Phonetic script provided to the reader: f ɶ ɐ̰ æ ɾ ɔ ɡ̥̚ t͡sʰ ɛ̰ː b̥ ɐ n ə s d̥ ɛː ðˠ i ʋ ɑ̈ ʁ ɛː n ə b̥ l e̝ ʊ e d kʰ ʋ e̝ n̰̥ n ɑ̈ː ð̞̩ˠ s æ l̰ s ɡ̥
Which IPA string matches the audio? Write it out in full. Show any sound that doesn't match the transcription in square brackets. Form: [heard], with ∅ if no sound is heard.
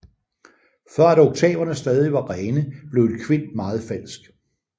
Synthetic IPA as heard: f ɶ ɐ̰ æ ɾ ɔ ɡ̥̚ t͡sʰ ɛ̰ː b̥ ɐ n ə s d̥ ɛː ðˠ i ʋ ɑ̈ ʁ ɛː n ə b̥ l e̝ ʊ e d kʰ ʋ e̝ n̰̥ [m] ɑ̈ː ð̞̩ˠ [f] æ l̰ s ɡ̥